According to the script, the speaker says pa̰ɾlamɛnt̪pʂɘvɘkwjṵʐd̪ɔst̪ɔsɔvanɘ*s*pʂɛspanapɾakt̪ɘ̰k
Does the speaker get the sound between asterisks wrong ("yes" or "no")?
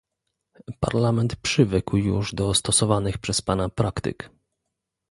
yes